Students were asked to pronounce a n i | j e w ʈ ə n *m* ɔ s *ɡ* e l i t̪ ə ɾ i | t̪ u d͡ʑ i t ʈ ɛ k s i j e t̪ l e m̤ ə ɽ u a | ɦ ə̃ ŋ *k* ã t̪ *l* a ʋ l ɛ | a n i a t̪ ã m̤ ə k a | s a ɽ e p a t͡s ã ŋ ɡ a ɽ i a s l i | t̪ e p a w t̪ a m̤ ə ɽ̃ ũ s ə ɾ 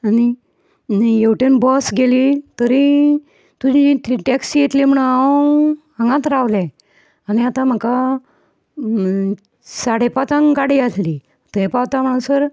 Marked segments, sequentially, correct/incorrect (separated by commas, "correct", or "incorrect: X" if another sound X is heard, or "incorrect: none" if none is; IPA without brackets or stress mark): incorrect: b, correct, incorrect: ɡ, incorrect: ɾ